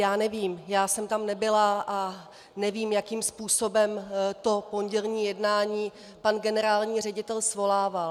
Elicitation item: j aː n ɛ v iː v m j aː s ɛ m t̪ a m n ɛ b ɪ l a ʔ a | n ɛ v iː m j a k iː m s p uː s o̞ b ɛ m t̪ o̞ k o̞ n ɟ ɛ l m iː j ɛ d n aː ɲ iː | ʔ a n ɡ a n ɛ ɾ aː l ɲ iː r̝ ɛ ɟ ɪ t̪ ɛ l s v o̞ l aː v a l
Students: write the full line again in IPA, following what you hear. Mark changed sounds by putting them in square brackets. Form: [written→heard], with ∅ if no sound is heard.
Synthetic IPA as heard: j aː n ɛ v iː [v→∅] m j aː s ɛ m t̪ a m n ɛ b ɪ l a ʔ a | n ɛ v iː m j a k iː m s p uː s o̞ b ɛ m t̪ o̞ [k→p] o̞ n ɟ ɛ l [m→ɲ] iː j ɛ d n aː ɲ iː | [ʔ→p] a n ɡ [a→ɛ] n ɛ ɾ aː l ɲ iː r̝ ɛ ɟ ɪ t̪ ɛ l s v o̞ l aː v a l